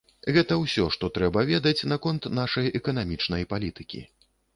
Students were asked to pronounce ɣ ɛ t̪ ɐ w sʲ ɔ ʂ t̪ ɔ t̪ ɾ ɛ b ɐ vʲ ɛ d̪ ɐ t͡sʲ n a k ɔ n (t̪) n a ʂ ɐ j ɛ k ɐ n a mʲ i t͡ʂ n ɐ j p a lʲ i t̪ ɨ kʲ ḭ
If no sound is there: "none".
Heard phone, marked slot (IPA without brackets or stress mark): t̪